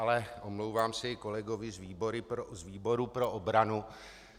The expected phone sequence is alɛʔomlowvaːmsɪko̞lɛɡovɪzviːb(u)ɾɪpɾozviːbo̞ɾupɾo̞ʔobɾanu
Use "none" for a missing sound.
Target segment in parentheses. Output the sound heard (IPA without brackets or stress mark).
o